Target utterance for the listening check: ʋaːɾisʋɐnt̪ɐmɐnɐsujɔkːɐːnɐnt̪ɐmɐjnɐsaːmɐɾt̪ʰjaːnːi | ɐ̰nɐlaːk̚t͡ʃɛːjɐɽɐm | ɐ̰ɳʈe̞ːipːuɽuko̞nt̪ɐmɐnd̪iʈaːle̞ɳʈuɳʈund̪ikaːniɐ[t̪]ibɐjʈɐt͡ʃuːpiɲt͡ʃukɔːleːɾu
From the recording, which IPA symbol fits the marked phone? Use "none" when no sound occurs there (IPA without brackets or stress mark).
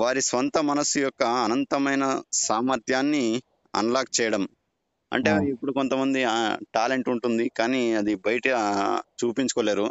d̪